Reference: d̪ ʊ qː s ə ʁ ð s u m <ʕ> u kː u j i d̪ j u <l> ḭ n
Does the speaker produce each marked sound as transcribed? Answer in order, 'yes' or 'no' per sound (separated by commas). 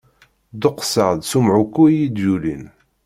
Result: yes, yes